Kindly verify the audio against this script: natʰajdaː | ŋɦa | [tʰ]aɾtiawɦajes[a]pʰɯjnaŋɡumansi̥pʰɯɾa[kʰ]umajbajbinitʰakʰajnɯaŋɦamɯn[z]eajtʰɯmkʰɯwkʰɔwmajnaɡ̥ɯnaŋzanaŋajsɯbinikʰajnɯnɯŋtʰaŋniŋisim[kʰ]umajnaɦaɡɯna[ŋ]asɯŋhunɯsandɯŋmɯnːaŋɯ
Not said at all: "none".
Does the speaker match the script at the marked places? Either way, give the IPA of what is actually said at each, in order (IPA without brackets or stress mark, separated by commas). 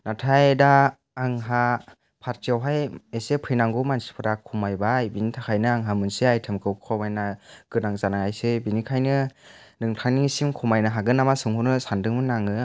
pʰ, e, kʰ, s, kʰ, m